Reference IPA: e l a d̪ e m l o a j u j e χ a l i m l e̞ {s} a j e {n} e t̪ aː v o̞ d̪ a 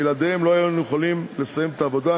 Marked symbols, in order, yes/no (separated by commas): yes, no